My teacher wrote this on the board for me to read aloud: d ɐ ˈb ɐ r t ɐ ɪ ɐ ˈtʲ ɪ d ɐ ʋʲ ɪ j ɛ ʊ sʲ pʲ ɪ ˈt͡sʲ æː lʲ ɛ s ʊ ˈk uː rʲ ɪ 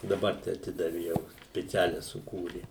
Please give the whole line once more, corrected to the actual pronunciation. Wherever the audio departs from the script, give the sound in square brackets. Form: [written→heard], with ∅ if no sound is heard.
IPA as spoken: d ɐ ˈb ɐ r t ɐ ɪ ɐ ˈtʲ ɪ d ɐ ʋʲ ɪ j ɛ ʊ sʲ pʲ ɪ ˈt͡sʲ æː lʲ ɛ s ʊ ˈk uː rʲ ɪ